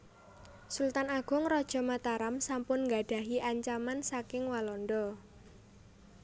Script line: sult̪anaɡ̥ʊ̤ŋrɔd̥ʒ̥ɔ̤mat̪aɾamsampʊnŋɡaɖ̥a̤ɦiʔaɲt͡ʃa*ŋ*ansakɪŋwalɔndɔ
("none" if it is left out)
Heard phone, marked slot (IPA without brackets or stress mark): m